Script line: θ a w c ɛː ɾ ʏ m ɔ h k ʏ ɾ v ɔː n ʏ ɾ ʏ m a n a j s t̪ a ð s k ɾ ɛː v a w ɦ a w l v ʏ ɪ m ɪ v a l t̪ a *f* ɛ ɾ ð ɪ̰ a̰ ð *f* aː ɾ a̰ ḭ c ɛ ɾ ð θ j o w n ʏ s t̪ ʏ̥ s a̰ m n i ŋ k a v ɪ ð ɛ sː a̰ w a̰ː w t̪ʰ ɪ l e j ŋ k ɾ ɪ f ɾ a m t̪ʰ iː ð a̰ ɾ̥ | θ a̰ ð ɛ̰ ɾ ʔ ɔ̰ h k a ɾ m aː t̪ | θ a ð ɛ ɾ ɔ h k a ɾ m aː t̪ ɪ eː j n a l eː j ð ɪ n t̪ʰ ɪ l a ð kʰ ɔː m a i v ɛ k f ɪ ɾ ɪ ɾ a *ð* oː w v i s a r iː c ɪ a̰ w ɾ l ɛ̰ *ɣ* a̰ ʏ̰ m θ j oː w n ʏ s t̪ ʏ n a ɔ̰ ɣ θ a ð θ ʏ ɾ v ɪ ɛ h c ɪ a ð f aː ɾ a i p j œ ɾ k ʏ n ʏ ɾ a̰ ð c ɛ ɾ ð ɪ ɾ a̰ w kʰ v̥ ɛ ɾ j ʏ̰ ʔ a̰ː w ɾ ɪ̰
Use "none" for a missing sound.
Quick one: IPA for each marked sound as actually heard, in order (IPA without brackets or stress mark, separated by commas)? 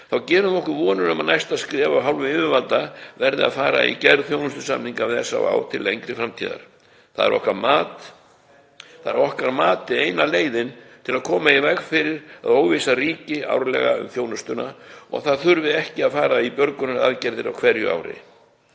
v, f, ð, ɣ